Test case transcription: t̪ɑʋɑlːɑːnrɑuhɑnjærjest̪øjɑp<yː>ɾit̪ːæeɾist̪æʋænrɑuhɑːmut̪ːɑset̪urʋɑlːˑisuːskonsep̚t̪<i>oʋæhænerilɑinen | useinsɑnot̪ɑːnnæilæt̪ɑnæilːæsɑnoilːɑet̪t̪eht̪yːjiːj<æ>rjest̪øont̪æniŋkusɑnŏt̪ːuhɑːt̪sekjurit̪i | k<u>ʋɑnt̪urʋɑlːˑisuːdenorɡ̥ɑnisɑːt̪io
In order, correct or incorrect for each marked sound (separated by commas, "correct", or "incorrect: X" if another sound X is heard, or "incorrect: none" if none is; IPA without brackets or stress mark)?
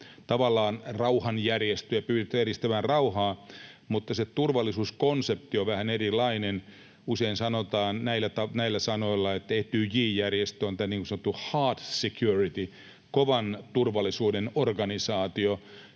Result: correct, correct, correct, incorrect: o